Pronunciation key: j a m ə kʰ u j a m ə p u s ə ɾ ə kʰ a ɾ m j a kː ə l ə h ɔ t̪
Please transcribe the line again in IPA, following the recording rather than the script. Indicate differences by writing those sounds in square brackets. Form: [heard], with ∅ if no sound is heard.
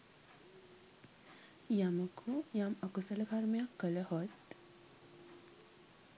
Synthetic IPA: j a m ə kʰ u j a m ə [k] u s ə [l] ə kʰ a ɾ m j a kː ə l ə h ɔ t̪